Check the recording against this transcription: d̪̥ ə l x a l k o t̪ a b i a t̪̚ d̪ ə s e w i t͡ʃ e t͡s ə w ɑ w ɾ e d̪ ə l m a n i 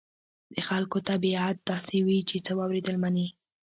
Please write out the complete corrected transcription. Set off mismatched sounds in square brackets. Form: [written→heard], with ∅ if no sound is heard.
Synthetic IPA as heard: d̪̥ ə [l→∅] x a l k o t̪ a b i a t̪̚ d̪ [ə→ɑ] s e w i t͡ʃ e t͡s ə w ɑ w ɾ e d̪ ə l m a n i